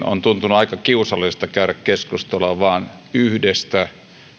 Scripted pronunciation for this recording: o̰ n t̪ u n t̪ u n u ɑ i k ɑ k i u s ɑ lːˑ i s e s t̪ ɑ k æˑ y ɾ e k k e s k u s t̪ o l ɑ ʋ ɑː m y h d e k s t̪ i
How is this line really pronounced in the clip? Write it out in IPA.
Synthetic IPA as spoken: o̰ n t̪ u n t̪ u n u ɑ i k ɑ k i u s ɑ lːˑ i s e s t̪ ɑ k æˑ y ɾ æ k k e s k u s t̪ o l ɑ ʋ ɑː n y h d e s t̪ æ